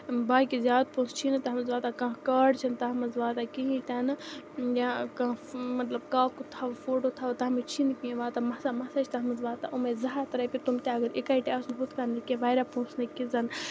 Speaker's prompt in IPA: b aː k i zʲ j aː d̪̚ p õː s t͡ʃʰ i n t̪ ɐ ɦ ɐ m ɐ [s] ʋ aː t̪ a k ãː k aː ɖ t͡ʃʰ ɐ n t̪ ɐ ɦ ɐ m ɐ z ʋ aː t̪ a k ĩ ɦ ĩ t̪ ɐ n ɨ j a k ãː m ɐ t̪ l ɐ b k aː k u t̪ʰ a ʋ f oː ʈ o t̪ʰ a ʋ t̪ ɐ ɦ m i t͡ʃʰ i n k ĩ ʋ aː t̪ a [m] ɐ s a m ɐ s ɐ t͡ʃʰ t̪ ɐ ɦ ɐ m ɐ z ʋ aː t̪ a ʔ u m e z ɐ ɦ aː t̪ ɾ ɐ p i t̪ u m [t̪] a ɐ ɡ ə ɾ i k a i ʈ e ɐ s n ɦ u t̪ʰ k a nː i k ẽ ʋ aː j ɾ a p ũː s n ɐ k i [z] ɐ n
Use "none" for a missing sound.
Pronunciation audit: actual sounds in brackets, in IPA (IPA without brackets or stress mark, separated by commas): z, m, t̪, z